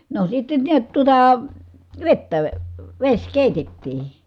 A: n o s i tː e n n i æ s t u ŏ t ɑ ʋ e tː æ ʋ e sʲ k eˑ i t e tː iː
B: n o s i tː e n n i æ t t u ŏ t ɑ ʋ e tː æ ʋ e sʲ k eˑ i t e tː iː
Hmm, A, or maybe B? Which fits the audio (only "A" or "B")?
B